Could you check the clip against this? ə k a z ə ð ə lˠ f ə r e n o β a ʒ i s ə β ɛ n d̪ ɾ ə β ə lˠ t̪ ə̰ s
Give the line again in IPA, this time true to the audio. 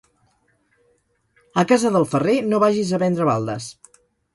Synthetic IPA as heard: ə k a z ə ð ə lˠ f ə r e n o β a ʒ i z ə β ɛ n d̪ ɾ ə β a lˠ d̪ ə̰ s